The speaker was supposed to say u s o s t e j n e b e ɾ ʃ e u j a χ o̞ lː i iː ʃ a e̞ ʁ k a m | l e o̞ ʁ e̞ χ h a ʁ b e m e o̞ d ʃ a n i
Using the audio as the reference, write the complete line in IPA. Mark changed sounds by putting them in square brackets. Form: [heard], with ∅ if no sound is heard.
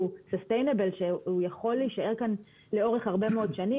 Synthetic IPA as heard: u s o s t e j n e b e [l] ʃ e u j a χ o̞ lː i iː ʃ a e̞ ʁ k a [n] | l e o̞ ʁ e̞ χ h a ʁ b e m e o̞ d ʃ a n i